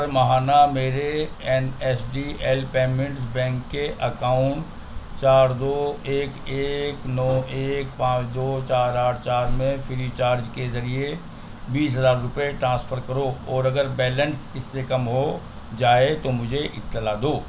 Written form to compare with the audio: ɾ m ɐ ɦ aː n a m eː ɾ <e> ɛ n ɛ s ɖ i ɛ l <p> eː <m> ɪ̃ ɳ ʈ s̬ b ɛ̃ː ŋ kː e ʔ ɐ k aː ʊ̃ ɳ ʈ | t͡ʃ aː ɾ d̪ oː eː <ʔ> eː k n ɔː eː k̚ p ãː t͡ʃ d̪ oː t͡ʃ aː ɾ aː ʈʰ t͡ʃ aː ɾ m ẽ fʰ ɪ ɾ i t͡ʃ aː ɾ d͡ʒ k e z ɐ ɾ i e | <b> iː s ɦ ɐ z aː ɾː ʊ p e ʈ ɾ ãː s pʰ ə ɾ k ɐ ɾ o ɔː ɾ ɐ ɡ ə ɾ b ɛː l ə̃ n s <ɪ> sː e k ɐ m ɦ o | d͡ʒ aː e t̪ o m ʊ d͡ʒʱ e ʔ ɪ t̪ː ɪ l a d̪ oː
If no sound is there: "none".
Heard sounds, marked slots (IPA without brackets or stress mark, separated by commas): e, p, m, k, b, ɪ